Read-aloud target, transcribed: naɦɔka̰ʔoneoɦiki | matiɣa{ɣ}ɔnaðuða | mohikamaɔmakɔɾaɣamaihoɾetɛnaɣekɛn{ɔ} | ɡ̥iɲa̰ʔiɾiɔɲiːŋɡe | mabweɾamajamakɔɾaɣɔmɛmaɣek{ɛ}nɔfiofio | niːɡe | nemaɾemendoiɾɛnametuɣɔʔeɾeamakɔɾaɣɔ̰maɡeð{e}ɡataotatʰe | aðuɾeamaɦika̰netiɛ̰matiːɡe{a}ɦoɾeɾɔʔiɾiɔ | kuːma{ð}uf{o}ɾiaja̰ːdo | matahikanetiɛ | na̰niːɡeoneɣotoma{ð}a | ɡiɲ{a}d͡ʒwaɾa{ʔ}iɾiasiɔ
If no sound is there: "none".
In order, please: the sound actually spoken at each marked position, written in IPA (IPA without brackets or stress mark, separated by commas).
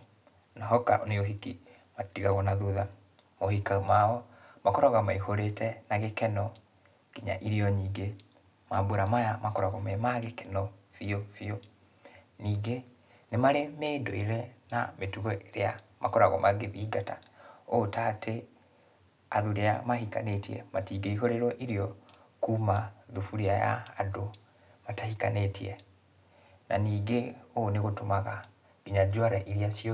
ɣ, ɔ, ɛ, i, i, ð, u, ɣ, a, ʔ